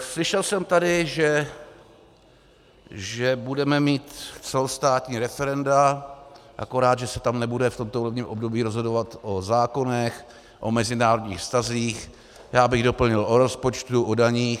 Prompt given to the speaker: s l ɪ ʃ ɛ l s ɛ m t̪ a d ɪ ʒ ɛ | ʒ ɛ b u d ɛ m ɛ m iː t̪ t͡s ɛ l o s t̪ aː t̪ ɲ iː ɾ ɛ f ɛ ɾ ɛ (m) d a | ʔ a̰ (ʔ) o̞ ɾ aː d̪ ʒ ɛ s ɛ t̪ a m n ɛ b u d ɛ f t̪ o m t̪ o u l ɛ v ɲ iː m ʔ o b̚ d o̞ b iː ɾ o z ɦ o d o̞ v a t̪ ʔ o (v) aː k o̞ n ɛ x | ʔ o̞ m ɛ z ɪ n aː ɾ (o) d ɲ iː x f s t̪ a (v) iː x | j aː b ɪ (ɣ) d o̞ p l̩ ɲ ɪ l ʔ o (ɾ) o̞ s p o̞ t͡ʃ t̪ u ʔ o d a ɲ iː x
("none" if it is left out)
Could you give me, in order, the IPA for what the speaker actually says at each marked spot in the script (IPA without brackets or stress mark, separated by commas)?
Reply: n, k, z, o, z, ɣ, ɾ